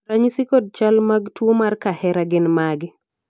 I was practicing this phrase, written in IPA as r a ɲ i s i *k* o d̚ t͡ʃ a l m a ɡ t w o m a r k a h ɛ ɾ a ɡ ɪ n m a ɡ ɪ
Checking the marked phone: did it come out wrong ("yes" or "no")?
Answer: no